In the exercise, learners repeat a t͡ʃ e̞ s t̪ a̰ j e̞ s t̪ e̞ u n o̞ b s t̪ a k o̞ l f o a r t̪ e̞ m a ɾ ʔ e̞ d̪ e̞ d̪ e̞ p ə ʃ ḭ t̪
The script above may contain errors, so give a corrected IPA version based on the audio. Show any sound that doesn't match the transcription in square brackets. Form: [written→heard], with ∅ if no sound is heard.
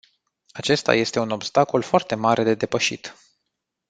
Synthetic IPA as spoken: a t͡ʃ e̞ s t̪ a̰ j e̞ s t̪ e̞ u n o̞ b s t̪ a k o̞ l f o a r t̪ e̞ m a ɾ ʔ e̞ d̪ e̞ d̪ e̞ p ə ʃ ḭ t̪